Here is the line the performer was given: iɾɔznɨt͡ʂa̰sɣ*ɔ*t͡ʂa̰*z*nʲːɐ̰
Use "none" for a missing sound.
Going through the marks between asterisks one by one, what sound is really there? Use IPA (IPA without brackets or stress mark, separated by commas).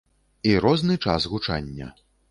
u, none